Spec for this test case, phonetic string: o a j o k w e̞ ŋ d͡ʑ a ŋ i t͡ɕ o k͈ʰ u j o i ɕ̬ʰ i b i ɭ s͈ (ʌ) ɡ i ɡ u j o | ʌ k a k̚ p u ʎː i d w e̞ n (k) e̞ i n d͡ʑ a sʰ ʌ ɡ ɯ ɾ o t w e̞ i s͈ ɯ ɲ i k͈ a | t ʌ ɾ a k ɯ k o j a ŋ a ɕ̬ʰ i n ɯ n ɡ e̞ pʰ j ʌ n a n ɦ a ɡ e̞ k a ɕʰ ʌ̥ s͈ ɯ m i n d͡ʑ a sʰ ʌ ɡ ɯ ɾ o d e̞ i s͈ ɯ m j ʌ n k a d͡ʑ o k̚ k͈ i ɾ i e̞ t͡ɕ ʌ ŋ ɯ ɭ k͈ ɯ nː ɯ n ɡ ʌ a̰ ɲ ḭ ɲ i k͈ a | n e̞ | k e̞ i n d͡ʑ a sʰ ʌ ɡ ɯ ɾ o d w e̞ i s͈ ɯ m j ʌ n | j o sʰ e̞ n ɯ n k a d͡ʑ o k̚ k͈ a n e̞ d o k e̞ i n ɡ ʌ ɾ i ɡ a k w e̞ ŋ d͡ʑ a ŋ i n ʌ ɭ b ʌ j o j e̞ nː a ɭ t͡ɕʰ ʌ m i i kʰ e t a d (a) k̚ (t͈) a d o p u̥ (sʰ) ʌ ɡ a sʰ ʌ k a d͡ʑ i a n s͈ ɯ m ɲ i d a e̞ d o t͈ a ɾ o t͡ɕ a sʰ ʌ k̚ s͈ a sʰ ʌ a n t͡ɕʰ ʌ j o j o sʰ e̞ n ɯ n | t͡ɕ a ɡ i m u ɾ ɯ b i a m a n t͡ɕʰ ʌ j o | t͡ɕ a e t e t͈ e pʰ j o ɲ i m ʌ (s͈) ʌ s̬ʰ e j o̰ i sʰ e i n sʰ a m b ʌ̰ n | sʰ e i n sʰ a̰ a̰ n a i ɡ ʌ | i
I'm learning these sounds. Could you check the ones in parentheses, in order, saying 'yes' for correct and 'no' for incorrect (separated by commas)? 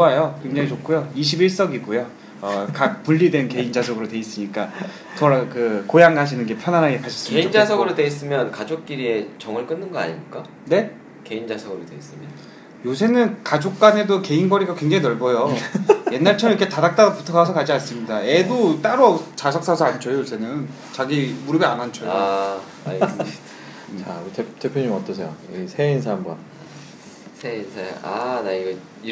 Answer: yes, yes, yes, yes, no, no